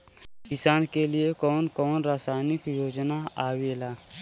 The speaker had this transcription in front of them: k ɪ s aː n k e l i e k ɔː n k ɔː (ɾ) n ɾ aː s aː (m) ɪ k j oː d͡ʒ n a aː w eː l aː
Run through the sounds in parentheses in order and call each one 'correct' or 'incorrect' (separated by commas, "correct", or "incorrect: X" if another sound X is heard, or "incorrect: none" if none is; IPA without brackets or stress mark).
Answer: incorrect: none, incorrect: n